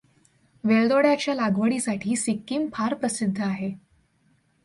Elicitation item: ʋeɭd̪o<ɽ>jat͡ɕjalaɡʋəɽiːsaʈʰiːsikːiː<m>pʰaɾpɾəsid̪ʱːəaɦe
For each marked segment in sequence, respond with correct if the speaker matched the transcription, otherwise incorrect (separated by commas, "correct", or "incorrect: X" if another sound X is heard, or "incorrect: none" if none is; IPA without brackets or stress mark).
correct, correct